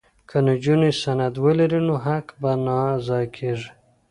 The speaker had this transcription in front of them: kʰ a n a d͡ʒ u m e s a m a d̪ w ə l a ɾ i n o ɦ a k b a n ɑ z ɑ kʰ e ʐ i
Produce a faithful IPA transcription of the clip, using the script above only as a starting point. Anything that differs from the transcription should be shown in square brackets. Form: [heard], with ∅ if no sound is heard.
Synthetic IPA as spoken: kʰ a n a d͡ʒ u [n] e s a [n] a d̪ w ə l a ɾ i n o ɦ a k b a n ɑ z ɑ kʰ e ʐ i